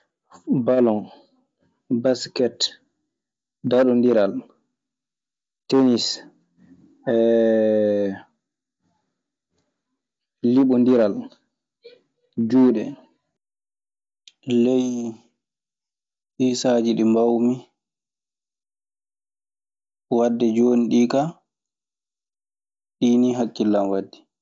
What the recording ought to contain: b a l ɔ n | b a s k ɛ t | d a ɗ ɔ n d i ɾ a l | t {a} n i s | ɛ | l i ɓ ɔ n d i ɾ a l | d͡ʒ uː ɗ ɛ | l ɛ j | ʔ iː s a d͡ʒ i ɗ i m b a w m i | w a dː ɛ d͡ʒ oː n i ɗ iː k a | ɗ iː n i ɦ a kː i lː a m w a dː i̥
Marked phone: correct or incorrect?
incorrect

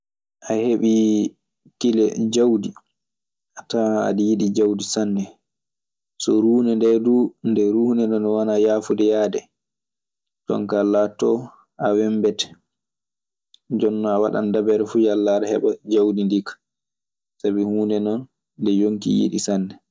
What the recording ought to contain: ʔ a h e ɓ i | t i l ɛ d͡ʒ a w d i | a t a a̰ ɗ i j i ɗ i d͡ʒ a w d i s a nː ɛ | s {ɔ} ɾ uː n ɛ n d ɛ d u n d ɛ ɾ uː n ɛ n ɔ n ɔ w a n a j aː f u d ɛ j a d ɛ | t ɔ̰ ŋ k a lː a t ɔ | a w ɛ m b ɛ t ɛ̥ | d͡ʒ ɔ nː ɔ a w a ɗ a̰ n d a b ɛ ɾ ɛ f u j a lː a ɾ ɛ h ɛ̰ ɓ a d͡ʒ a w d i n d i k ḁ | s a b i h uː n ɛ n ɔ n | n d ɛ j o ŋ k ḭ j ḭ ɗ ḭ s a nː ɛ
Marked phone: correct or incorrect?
correct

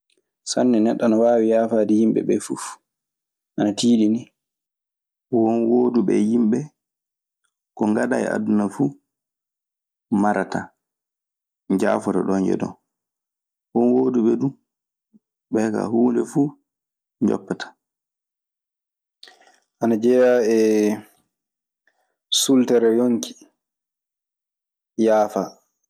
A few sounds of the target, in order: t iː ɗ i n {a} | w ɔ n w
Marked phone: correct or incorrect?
incorrect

